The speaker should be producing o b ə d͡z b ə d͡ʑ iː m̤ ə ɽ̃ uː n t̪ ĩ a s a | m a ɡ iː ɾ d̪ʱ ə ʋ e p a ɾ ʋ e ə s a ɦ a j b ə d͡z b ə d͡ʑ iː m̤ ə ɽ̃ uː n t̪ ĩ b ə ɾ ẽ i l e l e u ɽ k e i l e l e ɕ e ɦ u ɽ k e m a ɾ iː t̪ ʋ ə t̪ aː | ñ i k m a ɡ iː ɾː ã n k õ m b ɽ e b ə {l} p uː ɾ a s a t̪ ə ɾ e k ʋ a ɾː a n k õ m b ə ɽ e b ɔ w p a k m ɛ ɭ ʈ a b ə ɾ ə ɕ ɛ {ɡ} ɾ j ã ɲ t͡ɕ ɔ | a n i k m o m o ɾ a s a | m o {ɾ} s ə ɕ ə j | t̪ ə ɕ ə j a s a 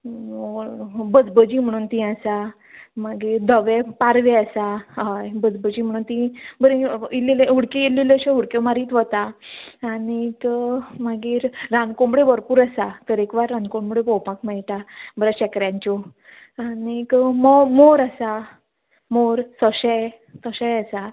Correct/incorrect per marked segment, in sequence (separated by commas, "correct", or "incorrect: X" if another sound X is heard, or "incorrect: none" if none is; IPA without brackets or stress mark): incorrect: ɾ, incorrect: k, correct